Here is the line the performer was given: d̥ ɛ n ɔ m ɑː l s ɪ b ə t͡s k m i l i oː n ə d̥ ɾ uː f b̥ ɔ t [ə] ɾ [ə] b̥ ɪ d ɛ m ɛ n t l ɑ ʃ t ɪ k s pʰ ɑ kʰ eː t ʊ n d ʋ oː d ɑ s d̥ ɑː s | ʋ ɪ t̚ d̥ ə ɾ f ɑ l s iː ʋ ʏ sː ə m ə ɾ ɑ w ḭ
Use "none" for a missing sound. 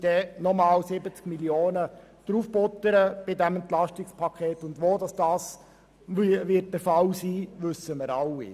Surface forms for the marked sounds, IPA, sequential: ə, ə

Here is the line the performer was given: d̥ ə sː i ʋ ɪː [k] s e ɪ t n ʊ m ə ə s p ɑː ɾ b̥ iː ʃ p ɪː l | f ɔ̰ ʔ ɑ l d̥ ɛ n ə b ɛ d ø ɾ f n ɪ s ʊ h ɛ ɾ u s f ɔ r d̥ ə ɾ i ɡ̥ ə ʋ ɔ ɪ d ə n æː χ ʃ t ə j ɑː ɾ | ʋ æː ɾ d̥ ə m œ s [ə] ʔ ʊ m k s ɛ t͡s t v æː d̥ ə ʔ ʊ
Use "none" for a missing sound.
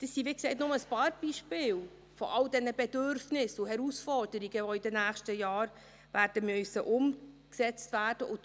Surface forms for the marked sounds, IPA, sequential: k, ə

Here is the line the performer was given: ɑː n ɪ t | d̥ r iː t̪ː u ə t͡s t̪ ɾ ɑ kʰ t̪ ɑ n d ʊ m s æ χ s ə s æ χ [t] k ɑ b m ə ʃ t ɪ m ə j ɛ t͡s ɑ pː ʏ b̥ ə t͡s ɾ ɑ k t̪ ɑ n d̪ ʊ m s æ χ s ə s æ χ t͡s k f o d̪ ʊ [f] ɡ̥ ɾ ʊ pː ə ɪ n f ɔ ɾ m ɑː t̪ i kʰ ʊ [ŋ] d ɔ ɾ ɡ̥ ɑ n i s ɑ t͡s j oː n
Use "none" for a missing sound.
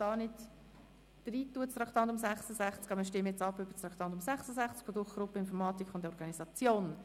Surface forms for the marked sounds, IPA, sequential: t͡s, χ, n

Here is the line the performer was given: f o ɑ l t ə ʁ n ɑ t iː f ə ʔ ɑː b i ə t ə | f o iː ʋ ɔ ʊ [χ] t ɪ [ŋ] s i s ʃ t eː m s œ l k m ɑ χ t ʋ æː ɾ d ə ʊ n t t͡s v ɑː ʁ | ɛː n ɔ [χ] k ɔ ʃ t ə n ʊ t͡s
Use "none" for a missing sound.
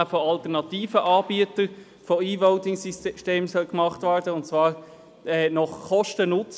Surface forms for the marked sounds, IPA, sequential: none, ŋ, χ

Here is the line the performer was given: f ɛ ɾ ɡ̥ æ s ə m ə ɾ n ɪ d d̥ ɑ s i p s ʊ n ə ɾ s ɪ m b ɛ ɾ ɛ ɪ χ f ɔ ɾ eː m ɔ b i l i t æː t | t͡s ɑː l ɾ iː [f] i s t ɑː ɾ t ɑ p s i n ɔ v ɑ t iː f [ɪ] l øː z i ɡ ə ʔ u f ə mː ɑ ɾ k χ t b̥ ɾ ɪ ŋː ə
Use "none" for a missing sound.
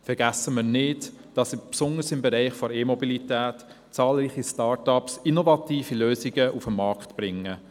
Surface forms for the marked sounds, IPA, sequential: χ, i

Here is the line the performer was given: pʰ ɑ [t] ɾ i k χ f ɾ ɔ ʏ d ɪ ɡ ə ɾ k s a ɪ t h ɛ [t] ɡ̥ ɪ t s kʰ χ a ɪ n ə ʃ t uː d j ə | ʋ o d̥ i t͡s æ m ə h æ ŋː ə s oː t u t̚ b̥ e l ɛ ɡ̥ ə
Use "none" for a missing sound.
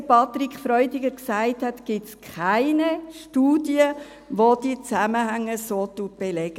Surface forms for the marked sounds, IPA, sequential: t, t

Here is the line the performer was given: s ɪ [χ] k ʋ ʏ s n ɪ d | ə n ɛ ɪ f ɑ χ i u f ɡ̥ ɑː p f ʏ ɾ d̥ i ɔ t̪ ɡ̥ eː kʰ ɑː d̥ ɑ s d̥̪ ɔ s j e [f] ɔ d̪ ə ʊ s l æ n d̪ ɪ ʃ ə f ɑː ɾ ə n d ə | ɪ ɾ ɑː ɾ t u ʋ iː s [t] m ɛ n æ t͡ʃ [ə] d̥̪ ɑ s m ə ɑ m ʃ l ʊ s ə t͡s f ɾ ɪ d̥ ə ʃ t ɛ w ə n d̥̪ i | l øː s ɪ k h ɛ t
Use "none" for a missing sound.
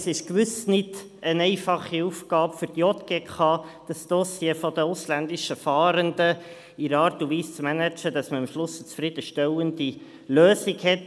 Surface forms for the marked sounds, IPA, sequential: ʃ, f, t͡s, ə

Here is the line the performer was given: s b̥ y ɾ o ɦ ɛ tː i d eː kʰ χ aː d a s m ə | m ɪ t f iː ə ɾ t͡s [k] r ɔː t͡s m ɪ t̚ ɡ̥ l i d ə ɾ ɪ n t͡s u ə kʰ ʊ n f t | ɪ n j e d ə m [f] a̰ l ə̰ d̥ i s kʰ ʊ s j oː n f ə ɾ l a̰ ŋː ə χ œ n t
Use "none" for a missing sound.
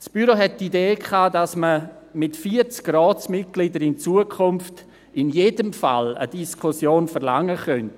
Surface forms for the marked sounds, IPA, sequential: k, f

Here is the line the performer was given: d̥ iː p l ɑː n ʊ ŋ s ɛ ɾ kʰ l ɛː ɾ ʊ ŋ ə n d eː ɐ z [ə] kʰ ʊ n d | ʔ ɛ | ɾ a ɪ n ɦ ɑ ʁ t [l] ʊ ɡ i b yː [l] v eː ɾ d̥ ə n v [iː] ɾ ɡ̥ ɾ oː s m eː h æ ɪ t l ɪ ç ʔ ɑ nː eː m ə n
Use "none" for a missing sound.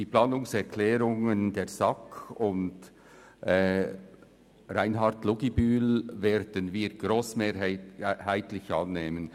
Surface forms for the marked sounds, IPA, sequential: ɑ, l, l, iː

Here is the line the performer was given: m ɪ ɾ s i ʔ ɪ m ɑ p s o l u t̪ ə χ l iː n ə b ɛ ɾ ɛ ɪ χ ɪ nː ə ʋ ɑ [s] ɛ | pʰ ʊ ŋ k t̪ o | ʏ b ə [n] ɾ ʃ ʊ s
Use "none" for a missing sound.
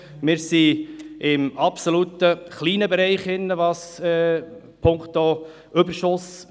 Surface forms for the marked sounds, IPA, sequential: s, none

